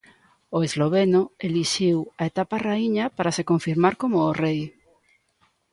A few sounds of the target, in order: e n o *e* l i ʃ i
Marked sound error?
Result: no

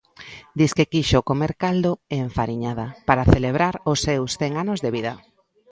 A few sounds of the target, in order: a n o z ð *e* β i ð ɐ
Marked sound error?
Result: no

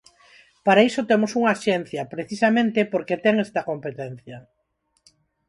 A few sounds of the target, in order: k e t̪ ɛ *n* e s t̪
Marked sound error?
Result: yes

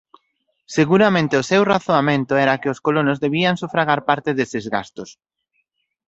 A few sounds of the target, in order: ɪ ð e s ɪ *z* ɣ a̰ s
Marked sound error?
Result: no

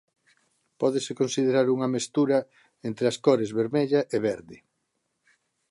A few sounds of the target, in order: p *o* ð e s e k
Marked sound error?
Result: yes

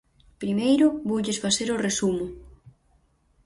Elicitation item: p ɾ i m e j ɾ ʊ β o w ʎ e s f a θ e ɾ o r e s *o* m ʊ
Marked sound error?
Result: yes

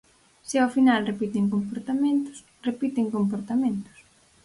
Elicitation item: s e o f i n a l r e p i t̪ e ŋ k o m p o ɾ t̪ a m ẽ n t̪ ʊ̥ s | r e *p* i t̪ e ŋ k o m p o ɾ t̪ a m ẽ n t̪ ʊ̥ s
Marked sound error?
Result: no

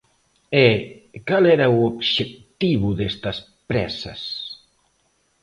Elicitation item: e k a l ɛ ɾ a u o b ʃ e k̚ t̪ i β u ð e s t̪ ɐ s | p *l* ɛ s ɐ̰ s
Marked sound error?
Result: yes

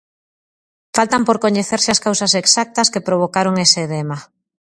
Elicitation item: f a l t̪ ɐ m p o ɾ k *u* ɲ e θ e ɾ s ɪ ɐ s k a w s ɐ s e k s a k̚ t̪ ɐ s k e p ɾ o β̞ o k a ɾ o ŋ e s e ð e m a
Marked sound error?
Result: yes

